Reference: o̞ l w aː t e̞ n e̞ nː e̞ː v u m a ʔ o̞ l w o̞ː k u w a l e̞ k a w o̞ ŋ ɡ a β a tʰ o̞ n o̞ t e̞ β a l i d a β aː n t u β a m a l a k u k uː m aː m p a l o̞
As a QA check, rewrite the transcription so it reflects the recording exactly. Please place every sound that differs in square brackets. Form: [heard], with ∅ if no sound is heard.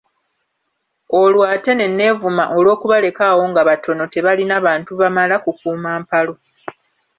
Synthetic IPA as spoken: o̞ l w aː t e̞ n e̞ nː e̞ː v u m a ʔ o̞ l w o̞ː k u [β] a l e̞ k a w o̞ ŋ ɡ a β a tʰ o̞ n o̞ t e̞ β a l i [n] a β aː n t u β a m a l a k u k uː m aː m p a l o̞